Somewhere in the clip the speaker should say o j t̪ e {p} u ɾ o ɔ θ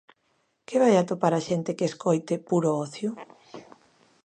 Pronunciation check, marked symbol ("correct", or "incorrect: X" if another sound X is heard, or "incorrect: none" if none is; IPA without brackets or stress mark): correct